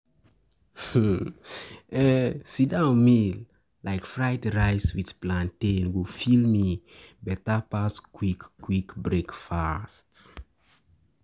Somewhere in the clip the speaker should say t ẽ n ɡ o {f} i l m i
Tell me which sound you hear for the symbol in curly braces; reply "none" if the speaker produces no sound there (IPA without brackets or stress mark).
f